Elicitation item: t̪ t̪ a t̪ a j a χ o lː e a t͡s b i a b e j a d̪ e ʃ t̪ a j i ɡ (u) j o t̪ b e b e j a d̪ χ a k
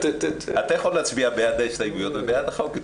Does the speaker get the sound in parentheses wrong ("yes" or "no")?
no